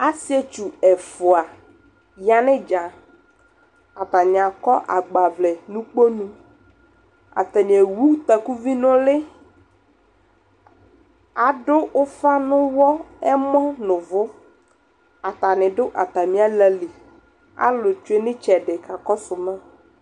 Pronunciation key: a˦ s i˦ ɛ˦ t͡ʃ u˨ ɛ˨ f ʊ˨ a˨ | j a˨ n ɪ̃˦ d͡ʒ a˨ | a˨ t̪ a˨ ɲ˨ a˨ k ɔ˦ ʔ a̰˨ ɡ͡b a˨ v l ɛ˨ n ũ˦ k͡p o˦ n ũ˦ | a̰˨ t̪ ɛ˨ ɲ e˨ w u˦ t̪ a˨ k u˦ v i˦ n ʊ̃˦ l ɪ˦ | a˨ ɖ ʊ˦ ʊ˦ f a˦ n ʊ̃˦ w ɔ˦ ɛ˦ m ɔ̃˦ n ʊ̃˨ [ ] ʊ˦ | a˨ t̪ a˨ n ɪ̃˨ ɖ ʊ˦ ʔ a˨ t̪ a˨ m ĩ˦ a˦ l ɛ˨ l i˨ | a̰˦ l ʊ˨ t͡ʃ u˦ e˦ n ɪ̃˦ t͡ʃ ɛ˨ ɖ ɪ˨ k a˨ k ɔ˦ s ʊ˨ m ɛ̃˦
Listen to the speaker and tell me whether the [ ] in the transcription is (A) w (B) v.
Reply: B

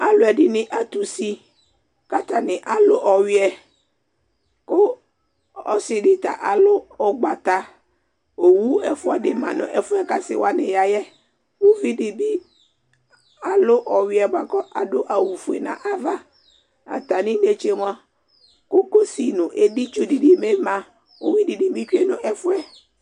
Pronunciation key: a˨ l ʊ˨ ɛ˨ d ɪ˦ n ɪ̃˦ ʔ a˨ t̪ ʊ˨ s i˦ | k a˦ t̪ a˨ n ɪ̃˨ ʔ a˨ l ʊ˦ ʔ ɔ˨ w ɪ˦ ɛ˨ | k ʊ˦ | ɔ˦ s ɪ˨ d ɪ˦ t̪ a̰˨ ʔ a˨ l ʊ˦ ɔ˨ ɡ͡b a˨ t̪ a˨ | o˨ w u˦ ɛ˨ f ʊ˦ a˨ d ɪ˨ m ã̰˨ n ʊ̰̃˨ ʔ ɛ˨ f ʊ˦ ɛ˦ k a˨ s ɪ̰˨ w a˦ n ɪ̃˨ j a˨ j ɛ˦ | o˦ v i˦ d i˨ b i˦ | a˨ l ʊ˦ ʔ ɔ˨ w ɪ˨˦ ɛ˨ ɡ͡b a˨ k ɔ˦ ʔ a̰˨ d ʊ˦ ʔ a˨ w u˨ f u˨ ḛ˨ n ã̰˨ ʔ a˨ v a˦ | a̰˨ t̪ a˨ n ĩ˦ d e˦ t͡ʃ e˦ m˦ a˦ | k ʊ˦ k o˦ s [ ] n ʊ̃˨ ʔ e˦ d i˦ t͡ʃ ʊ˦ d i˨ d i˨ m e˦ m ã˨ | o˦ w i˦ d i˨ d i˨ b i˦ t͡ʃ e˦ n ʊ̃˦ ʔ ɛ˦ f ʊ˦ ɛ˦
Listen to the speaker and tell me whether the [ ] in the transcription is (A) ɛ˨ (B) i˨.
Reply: B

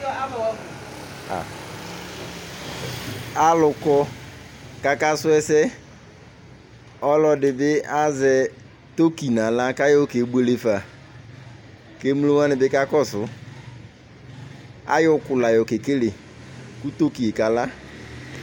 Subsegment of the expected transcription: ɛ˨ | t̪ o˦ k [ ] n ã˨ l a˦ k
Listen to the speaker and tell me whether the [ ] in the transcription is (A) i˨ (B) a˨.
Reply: A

